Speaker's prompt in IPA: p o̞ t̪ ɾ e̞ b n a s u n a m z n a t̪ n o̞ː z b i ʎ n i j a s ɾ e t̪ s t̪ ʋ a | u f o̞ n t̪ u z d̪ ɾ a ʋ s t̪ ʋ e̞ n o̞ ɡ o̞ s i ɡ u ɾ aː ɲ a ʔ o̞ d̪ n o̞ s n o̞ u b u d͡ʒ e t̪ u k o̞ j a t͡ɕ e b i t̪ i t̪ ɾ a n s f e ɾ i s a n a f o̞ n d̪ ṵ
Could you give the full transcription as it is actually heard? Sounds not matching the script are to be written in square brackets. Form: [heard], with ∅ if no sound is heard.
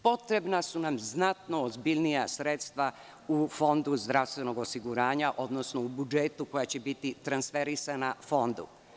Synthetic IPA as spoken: p o̞ t̪ ɾ e̞ b n a s u n a m z n a t̪ n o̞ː z b i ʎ n i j a s ɾ e t̪ s t̪ ʋ a | u f o̞ n [d̪] u z d̪ ɾ a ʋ s t̪ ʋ e̞ n o̞ ɡ o̞ s i ɡ u ɾ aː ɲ a ʔ o̞ d̪ n o̞ s n o̞ u b u d͡ʒ e t̪ u k o̞ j a t͡ɕ e b i t̪ i t̪ ɾ a n s f e ɾ i s a n a f o̞ n d̪ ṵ